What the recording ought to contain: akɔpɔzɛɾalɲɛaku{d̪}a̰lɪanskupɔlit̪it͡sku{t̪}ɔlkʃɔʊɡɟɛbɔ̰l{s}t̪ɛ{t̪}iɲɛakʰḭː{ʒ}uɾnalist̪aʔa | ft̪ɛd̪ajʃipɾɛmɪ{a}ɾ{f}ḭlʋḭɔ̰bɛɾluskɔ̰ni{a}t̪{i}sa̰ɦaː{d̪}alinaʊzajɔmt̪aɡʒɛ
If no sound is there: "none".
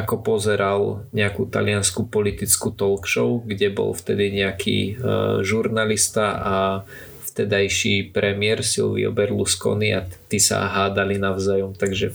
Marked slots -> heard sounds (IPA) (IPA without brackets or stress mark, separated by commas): t̪, t̪, f, d̪, ʒ, ɛ, s, a, i, d̪